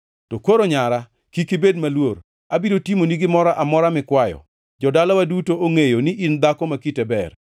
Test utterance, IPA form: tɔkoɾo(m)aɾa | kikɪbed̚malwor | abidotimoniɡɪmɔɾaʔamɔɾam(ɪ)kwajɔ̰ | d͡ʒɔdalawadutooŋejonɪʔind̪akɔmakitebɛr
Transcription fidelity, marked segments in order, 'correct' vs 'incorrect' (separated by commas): incorrect, correct